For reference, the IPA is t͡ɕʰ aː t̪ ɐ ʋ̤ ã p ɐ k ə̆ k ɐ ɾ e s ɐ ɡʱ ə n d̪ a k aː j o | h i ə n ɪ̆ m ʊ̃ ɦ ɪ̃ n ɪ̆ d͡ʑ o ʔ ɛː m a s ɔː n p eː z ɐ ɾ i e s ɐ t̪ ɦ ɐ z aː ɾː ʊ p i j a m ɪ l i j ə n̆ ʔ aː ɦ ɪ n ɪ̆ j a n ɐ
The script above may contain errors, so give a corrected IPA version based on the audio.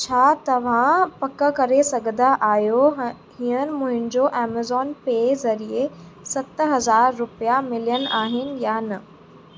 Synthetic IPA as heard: t͡ɕʰ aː t̪ ɐ ʋ̤ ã p ɐ k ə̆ k ɐ ɾ e s ɐ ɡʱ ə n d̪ a ʔ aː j o | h i ə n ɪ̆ m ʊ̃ ɦ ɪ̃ n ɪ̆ d͡ʑ o ʔ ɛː m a z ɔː n p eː z ɐ ɾ i e s ɐ t̪ ɦ ɐ z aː ɾː ʊ p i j a m ɪ l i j ə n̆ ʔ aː ɦ ɪ n ɪ̆ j a n ɐ